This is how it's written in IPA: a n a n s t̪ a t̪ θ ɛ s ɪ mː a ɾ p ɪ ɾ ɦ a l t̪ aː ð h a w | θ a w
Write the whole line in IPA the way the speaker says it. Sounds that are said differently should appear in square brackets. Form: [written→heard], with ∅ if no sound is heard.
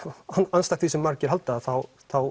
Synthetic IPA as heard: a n a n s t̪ a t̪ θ [ɛ→i] s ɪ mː a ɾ [p→c] ɪ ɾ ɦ a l t̪ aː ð [h→θ] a w | θ a w